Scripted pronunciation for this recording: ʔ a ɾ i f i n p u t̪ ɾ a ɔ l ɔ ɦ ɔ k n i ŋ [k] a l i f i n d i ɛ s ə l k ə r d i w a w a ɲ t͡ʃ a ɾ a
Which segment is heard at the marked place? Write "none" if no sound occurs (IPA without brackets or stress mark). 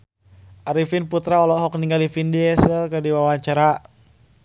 ɡ